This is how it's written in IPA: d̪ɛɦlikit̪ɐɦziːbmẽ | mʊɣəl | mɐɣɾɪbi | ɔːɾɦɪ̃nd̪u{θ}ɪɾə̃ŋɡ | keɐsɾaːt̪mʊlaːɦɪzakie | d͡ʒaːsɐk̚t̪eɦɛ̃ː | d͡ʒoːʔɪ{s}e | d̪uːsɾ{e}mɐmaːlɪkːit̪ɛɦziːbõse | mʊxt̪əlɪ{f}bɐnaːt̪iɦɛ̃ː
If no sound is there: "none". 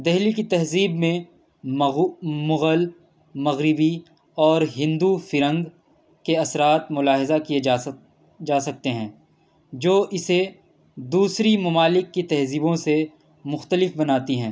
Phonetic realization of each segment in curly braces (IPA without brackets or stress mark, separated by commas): f, s, i, f